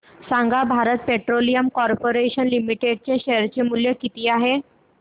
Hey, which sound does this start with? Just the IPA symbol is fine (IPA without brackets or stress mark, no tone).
s